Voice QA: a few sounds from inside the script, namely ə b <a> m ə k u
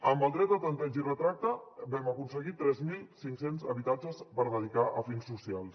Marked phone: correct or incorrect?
incorrect